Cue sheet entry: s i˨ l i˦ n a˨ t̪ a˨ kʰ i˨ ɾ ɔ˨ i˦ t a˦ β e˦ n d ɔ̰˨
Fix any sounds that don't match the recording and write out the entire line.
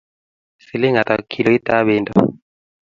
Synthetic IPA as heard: s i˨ l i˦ ŋ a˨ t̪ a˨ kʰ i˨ l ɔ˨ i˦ t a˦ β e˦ n d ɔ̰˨